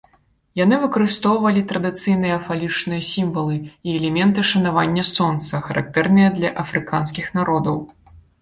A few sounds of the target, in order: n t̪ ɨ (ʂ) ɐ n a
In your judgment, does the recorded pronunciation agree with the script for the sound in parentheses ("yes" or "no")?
yes